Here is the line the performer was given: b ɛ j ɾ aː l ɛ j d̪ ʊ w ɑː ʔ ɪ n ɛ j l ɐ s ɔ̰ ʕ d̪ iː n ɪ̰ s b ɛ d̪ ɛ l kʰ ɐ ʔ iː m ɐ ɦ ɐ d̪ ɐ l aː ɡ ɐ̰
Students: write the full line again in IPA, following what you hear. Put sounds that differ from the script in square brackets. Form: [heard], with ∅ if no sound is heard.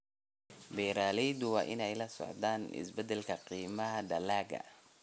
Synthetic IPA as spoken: b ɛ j ɾ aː l ɛ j d̪ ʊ w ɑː ʔ ɪ n ɛ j l ɐ s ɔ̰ ʕ d̪ [aː] n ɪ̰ s b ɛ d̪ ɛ l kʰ ɐ [q] iː m ɐ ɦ ɐ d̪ ɐ l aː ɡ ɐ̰